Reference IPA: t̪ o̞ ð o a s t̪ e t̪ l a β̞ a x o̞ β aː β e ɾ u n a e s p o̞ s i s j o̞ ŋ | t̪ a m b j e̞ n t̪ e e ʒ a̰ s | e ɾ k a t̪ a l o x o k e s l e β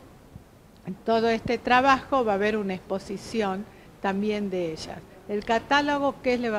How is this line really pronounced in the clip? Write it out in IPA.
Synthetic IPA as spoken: t̪ o̞ ð o e s t̪ e t̪ ɾ a β̞ a x o̞ β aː β e ɾ u n a e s p o̞ s i s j o̞ n | t̪ a m b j e̞ n d̪ e e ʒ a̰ s | e l k a t̪ a l o ɣ o k e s l e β

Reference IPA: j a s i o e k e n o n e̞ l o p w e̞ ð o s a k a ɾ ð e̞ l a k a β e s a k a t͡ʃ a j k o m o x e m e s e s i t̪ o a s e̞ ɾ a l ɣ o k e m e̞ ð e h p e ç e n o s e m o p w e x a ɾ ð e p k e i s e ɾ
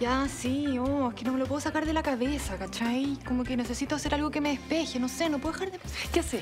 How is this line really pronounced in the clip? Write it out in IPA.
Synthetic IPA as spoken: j a s i o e k e n o m e̞ l o p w e̞ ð o s a k a ɾ ð e̞ l a k a β e s a k a t͡ʃ a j k o m o k e n e s e s i t̪ o a s e̞ ɾ a l ɣ o k e m e̞ ð e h p e ç e n o s e n o p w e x a ɾ ð e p k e a s e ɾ

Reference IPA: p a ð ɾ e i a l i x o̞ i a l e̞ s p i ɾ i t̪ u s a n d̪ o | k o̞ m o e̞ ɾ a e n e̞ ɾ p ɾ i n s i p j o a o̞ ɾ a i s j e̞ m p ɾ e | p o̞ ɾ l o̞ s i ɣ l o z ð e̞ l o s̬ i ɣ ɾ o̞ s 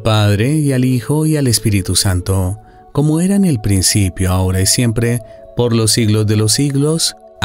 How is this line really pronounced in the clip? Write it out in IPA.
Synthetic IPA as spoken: p a ð ɾ e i a l i x o̞ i a l e̞ s p i ɾ i t̪ u s a n t̪ o | k o̞ m o e̞ ɾ a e n e̞ l p ɾ i n s i p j o a o̞ ɾ a i s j e̞ m p ɾ e | p o̞ ɾ l o̞ s i ɣ l o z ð e̞ l o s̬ i ɣ l o̞ s

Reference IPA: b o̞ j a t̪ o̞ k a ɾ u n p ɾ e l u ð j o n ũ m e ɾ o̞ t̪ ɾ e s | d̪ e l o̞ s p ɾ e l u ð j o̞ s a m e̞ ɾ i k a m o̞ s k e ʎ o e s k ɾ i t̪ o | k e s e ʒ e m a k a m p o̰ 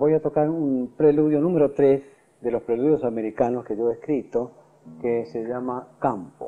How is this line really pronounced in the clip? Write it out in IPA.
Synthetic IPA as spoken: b o̞ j a t̪ o̞ k a ɾ u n p ɾ e l u ð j o n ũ m e ɾ o̞ t̪ ɾ e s | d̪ e l o̞ s p ɾ e l u ð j o̞ s a m e̞ ɾ i k a n o̞ s k e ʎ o e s k ɾ i t̪ o | k e s e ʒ a m a k a m p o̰

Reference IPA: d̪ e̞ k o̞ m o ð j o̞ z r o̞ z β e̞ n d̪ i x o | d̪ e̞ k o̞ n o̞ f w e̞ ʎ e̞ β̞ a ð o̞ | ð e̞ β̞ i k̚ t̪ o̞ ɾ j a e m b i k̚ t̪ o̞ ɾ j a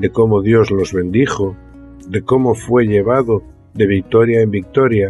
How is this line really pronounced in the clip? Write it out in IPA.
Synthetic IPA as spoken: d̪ e̞ k o̞ m o ð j o̞ z l o̞ z β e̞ n d̪ i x o | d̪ e̞ k o̞ m o̞ f w e̞ ʎ e̞ β̞ a ð o̞ | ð e̞ β̞ i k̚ t̪ o̞ ɾ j a e m b i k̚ t̪ o̞ ɾ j a

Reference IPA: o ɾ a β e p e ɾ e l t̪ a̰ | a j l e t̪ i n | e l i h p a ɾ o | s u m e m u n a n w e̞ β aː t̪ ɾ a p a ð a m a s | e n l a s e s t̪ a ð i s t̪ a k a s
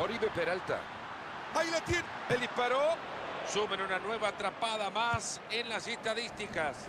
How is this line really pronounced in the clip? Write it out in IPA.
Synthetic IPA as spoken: o ɾ i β e p e ɾ a l t̪ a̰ | a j l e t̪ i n | e l i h p a ɾ o | s u m e n u n a n w e̞ β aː t̪ ɾ a p a ð a m a s | e n l a s e s t̪ a ð i s t̪ i k a s

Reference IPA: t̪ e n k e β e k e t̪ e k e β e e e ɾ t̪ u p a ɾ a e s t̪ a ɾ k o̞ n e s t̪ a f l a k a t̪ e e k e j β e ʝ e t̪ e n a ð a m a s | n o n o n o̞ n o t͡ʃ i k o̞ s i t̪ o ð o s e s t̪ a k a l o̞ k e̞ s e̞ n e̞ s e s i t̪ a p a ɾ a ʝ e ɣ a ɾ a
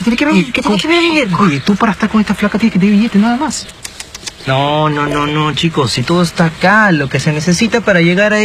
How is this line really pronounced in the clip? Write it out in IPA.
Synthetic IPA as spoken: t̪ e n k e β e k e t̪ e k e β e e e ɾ t̪ u p a ɾ a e s t̪ a ɾ k o̞ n e s t̪ a f l a k a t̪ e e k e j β i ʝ e t̪ e n a ð a m a s | n o n o n o̞ n o t͡ʃ i k o̞ s i t̪ o ð o e s t̪ a k a l o̞ k e̞ s e̞ n e̞ s e s i t̪ a p a ɾ a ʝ e ɣ a ɾ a

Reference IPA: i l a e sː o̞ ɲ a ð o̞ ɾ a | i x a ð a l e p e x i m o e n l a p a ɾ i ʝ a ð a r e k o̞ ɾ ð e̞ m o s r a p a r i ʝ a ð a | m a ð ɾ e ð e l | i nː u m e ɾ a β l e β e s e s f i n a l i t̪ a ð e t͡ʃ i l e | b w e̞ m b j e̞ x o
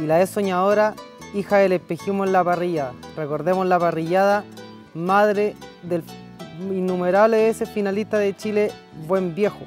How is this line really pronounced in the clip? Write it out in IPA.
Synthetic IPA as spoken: i l a e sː o̞ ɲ a ð o̞ ɾ a | i x a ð e l e p e x i m o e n l a p a r i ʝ a ð a r e k o̞ ɾ ð e̞ m o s l a p a r i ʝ a ð a | m a ð ɾ e ð e l | i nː u m e ɾ a β l e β e s e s f i n a l i t̪ a ð e t͡ʃ i l e | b w e̞ m b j e̞ x o

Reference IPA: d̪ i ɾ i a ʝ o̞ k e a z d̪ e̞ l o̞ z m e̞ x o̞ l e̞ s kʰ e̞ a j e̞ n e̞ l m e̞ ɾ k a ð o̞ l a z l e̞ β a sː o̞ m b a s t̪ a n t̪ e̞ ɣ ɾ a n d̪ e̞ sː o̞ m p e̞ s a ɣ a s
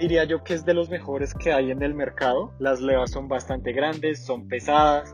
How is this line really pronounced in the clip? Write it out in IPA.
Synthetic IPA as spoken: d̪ i ɾ i a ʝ o̞ k e e z d̪ e̞ l o̞ z m e̞ x o̞ ɾ e̞ s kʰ e̞ a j e̞ n e̞ l m e̞ ɾ k a ð o̞ l a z l e̞ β a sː o̞ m b a s t̪ a n t̪ e̞ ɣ ɾ a n d̪ e̞ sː o̞ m p e̞ s a ð a s

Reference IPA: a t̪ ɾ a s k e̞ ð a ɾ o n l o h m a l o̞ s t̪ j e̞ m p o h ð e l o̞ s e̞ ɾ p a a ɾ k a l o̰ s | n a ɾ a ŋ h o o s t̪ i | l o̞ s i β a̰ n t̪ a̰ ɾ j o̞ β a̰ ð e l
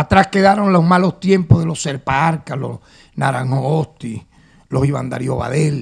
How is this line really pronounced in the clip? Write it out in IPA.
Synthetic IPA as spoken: a t̪ ɾ a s k e̞ ð a ɾ o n l o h m a l o̞ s t̪ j e̞ m p o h ð e l o̞ s e̞ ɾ p a a ɾ k a l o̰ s | n a ɾ a ŋ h o o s t̪ i | l o̞ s i β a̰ n d̪ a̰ ɾ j o̞ β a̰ ð e l

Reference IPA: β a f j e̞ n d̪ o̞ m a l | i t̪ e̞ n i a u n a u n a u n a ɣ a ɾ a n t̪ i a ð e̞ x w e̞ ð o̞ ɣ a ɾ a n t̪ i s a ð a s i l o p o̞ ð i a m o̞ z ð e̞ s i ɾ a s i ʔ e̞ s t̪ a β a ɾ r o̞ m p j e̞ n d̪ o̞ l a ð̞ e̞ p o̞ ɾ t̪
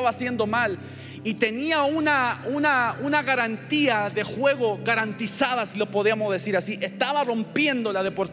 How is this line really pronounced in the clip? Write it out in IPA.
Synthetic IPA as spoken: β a s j e̞ n d̪ o̞ m a l | i t̪ e̞ n i a u n a u n a u n a ɣ a ɾ a n t̪ i a ð e̞ x w e̞ ɣ o̞ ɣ a ɾ a n t̪ i s a ð a s i l o p o̞ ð i a m o̞ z ð e̞ s i ɾ a s i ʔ e̞ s t̪ a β a r o̞ m p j e̞ n d̪ o̞ l a ð̞ e̞ p o̞ ɾ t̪

